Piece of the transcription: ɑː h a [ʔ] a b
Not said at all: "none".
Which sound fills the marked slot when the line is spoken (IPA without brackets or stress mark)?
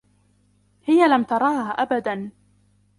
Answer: ʔ